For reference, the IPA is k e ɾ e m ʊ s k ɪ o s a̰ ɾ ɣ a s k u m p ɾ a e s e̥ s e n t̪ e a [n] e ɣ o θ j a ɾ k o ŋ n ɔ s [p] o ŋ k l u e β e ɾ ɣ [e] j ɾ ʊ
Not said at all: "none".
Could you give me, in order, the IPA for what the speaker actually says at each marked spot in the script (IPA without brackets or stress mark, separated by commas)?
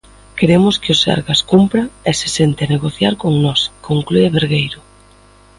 n, k, e